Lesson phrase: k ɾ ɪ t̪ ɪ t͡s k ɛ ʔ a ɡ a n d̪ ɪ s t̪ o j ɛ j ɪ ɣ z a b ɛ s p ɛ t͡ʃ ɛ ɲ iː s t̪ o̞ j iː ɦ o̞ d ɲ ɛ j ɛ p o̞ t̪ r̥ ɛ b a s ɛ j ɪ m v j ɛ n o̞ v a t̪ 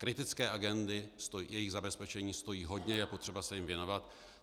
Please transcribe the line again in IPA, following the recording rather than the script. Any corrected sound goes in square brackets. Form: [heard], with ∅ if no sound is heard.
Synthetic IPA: k ɾ ɪ t̪ ɪ t͡s k [ɛː] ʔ a ɡ [ɛ] n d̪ ɪ s t̪ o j ɛ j ɪ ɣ z a b ɛ s p ɛ t͡ʃ ɛ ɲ iː s t̪ o̞ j iː ɦ o̞ d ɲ ɛ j ɛ p o̞ t̪ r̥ ɛ b a s ɛ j ɪ m v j ɛ n o̞ v a t̪